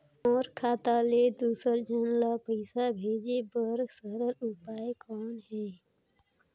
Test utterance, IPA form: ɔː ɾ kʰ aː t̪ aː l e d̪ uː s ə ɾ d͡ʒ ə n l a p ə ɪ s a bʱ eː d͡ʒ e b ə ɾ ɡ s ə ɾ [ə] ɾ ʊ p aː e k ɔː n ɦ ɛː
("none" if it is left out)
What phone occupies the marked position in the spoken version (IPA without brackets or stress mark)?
ə